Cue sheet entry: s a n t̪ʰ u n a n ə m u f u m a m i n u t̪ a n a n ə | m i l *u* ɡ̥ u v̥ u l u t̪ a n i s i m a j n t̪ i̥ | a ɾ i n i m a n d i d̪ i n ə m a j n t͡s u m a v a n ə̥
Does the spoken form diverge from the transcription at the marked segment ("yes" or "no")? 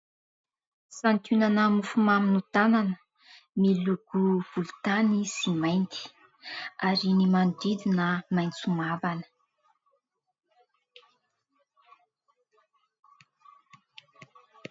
no